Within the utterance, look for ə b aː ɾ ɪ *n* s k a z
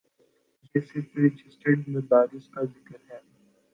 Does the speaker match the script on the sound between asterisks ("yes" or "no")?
no